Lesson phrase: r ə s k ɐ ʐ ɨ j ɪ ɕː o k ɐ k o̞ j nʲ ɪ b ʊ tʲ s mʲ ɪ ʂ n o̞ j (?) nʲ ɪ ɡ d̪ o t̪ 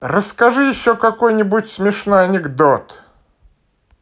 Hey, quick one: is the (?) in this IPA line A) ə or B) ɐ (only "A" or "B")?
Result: B